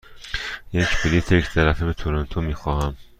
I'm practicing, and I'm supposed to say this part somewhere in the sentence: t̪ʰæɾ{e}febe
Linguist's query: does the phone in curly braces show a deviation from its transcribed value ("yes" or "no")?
yes